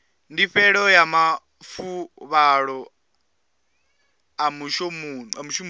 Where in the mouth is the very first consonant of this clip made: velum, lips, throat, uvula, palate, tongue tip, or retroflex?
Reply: tongue tip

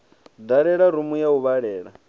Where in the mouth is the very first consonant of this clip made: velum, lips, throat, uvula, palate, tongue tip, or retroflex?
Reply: tongue tip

